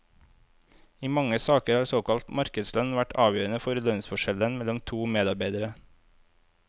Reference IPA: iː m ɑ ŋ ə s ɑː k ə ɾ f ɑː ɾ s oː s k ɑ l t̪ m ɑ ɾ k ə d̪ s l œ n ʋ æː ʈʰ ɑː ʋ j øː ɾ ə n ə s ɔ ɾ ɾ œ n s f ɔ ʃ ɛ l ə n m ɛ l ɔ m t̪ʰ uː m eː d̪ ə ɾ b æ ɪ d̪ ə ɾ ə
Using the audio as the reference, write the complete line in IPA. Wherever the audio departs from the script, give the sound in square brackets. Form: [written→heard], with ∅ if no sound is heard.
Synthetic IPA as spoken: iː m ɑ ŋ ə s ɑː k ə ɾ [f→h] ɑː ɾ s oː [s→∅] k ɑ l t̪ m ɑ ɾ k ə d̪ s l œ n ʋ [æː→æ] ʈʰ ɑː ʋ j øː ɾ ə n ə [s→f] ɔ ɾ [ɾ→l] œ n s f ɔ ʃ ɛ l ə n m ɛ l ɔ m t̪ʰ uː m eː d̪ [ə→ɑ] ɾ b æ ɪ d̪ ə ɾ ə